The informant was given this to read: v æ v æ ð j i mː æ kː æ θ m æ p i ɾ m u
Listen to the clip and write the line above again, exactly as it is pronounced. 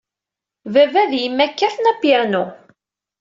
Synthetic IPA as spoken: v æ v æ ð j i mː æ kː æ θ n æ p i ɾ n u